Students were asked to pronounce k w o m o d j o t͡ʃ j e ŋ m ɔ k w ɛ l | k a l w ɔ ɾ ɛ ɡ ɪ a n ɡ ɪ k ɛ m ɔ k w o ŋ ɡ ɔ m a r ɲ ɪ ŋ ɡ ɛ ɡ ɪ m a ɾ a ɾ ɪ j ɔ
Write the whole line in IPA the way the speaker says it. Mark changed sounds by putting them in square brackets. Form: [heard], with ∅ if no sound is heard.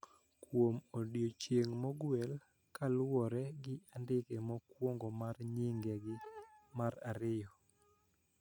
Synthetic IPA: k w o m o d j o t͡ʃ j e ŋ m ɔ [ɡ] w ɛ l | k a l w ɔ ɾ ɛ ɡ ɪ a n [d] ɪ k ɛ m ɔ k w o ŋ ɡ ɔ m a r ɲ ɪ ŋ ɡ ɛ ɡ ɪ m a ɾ a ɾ ɪ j ɔ